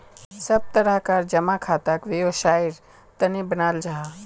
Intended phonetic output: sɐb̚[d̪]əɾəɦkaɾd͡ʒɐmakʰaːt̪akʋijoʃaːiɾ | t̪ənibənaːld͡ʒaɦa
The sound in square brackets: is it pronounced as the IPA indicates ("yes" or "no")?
no